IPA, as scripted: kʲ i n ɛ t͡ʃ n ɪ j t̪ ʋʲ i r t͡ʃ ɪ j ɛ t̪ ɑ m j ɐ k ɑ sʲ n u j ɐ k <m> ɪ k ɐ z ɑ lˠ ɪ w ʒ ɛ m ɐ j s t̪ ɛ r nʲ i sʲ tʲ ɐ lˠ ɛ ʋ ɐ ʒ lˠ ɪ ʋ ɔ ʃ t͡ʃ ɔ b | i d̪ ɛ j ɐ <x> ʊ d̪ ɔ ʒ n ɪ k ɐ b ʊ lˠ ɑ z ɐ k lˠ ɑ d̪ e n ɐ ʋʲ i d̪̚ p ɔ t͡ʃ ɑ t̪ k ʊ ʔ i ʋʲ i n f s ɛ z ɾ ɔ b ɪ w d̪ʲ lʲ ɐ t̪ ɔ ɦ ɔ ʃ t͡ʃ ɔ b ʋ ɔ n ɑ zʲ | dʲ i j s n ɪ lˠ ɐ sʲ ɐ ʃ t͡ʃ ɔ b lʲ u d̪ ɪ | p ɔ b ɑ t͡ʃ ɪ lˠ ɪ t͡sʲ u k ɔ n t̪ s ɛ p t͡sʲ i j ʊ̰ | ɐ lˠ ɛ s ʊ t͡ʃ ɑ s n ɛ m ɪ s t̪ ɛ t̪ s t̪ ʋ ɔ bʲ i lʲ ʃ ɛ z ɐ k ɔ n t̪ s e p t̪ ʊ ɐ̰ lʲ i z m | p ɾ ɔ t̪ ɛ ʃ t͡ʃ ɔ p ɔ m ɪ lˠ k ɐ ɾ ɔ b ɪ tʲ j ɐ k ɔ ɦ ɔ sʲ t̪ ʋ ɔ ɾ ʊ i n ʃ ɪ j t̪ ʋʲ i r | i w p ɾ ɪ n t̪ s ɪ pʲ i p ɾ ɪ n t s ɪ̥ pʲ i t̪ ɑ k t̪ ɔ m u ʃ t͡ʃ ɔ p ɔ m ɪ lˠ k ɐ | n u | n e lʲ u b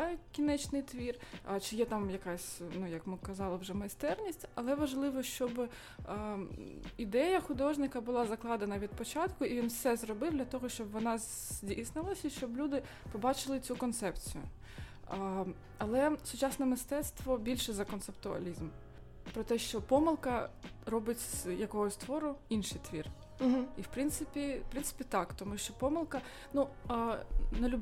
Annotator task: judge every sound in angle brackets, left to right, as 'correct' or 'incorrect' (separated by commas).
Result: correct, correct